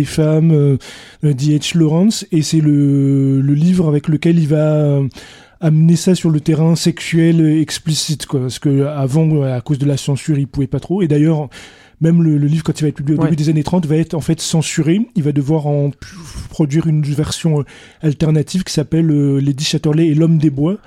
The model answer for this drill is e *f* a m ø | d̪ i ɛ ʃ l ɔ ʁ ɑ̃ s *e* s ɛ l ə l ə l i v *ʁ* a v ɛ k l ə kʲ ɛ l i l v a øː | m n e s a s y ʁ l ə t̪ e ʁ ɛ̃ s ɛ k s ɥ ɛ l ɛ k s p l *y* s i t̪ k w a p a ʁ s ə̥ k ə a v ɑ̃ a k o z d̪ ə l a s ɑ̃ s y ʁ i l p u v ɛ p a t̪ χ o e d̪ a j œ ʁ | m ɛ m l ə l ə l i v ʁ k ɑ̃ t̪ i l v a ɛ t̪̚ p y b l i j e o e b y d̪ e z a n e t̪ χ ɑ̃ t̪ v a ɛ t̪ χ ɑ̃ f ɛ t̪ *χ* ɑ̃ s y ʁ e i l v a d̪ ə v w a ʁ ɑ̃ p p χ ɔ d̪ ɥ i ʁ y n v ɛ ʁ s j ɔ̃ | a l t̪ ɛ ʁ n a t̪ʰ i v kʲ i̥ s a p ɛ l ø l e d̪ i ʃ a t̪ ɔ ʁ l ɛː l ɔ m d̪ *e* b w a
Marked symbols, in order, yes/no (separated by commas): yes, yes, yes, no, no, yes